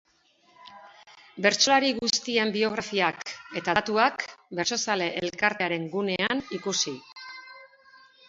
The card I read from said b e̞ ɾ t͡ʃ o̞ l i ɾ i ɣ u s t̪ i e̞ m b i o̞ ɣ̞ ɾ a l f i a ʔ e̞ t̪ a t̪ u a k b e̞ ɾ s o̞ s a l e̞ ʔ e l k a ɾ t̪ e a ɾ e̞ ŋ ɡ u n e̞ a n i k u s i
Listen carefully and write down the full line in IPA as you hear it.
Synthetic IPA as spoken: b e̞ ɾ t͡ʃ o̞ l a ɾ i ɣ u s t̪ i e̞ m b i o̞ ɣ̞ ɾ a f i a k e̞ t̪ a t̪ u a k b e̞ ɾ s o̞ s a l e̞ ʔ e l k a ɾ t̪ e a ɾ e̞ ŋ ɡ u n e̞ a n i k u s i